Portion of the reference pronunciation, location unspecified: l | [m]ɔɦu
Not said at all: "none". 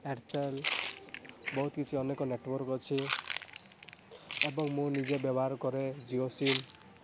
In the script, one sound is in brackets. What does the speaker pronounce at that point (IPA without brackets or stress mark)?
b